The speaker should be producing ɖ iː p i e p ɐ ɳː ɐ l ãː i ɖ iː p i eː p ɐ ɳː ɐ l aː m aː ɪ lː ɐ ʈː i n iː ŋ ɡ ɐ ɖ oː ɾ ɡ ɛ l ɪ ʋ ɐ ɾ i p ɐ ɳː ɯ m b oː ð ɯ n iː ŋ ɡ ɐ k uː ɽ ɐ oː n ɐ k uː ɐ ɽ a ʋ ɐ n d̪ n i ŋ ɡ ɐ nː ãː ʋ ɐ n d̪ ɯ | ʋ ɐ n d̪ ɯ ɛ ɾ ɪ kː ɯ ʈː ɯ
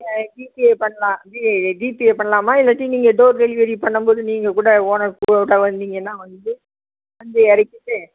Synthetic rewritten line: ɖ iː p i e p ɐ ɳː ɐ l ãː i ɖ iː p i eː p ɐ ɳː ɐ l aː m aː ɪ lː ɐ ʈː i n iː ŋ ɡ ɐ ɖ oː ɾ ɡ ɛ l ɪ ʋ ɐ ɾ i p ɐ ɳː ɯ m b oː ð ɯ n iː ŋ ɡ ɐ k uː ɽ ɐ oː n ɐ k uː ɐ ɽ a ʋ ɐ n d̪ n i ŋ ɡ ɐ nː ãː ʋ ɐ n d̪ ɯ | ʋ ɐ n d̪ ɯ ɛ ɾ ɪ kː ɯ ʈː ɯ